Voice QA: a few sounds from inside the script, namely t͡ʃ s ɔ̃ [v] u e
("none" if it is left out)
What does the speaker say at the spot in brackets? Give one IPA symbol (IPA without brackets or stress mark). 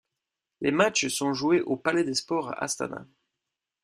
ʒ